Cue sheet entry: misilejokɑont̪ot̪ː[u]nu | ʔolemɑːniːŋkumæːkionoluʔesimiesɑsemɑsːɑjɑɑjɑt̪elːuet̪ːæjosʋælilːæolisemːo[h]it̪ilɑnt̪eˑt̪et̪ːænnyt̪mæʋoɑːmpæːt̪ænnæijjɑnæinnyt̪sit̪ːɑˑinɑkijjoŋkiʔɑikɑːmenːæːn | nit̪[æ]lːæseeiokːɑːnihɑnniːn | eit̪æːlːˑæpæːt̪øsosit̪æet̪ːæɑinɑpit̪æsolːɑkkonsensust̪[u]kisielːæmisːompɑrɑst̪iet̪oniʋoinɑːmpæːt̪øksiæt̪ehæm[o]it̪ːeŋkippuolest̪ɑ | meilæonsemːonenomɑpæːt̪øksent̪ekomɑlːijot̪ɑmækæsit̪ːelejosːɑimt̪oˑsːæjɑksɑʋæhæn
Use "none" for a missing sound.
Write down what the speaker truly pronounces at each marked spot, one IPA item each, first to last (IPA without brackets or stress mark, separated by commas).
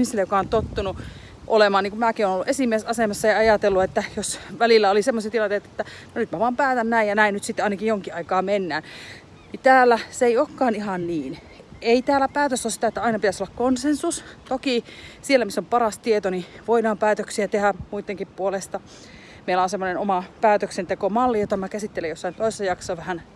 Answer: u, s, æː, o, u